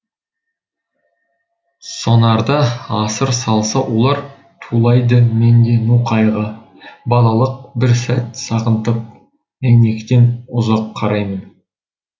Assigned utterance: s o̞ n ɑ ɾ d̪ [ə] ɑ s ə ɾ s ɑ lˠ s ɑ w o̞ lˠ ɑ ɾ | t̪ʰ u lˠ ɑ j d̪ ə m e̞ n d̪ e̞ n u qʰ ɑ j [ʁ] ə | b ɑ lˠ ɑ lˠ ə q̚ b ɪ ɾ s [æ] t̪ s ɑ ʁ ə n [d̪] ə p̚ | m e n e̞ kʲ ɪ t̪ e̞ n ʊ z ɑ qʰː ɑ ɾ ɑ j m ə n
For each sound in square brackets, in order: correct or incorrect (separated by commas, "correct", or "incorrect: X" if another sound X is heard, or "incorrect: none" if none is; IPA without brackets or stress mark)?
incorrect: ɑ, correct, correct, incorrect: t̪